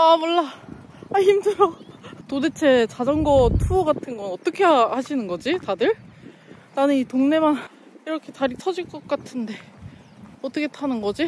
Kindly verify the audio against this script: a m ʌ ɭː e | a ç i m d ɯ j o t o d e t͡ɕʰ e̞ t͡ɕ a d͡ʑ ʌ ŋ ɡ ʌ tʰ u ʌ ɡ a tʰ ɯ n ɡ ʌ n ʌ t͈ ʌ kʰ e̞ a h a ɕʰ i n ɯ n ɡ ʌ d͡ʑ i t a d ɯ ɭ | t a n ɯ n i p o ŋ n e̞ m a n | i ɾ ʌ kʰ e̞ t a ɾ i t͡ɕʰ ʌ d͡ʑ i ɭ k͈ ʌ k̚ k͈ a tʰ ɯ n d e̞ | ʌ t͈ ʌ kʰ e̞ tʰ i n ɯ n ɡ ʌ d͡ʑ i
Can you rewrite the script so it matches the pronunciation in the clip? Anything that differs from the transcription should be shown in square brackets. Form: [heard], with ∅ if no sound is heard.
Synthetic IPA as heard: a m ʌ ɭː [a] | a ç i m d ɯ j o t o d e t͡ɕʰ e̞ t͡ɕ a d͡ʑ ʌ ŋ ɡ ʌ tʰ u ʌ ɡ a tʰ ɯ n ɡ ʌ n ʌ t͈ ʌ kʰ e̞ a h a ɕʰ i n ɯ n ɡ ʌ d͡ʑ i t a d ɯ ɭ | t a n ɯ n i [t] o ŋ n e̞ m a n | i ɾ ʌ kʰ e̞ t a ɾ i t͡ɕʰ ʌ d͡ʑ i ɭ k͈ ʌ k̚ k͈ a tʰ ɯ n d e̞ | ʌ t͈ ʌ kʰ e̞ tʰ [a] n ɯ n ɡ ʌ d͡ʑ i